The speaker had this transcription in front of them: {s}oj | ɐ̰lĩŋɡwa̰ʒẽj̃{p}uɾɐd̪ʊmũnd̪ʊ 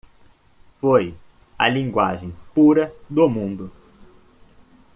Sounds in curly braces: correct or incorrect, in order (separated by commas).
incorrect, correct